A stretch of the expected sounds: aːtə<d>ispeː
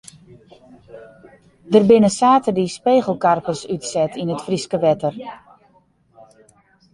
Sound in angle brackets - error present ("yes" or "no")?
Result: no